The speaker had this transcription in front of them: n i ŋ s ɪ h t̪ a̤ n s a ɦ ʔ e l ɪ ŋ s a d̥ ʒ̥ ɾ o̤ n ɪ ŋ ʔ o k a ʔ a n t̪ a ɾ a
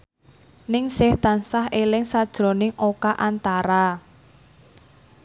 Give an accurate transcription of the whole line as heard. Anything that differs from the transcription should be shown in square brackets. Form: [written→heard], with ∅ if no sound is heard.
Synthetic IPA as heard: n [i→ɪ] ŋ s ɪ h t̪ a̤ n s a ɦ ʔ e l ɪ ŋ s a d̥ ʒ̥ ɾ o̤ n ɪ ŋ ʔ o k a ʔ a n t̪ a ɾ a